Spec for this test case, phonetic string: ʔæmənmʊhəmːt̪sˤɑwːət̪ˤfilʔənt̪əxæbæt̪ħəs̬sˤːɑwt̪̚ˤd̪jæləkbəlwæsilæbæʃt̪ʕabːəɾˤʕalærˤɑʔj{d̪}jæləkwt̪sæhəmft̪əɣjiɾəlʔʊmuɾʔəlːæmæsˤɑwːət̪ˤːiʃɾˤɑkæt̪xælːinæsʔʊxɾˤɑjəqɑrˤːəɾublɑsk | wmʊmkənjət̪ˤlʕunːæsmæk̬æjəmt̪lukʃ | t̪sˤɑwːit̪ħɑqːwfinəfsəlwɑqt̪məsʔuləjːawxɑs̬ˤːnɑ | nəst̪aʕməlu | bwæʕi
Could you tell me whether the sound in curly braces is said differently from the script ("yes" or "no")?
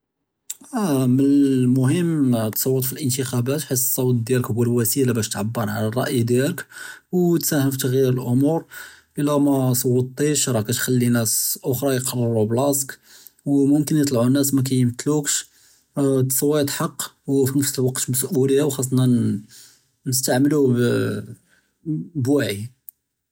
no